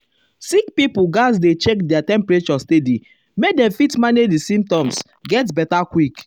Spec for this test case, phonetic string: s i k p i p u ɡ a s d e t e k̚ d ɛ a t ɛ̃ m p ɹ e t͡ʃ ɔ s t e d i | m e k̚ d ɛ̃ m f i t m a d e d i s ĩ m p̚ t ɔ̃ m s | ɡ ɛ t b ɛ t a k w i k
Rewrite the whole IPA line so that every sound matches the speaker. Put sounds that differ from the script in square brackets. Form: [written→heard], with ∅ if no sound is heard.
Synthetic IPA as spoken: s i k p i p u ɡ a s d e [t→t͡ʃ] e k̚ d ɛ a t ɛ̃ m p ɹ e t͡ʃ ɔ s t e d i | m e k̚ d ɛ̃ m f i t m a [d→n] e d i s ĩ m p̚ t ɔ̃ m s | ɡ ɛ t b ɛ t a k w i k